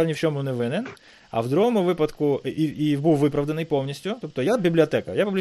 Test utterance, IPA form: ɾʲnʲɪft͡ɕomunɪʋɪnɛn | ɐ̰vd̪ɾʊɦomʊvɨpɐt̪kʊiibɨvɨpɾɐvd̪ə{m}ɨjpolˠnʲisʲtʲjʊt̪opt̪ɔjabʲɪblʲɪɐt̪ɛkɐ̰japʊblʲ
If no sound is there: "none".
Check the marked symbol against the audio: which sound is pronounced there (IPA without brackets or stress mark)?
n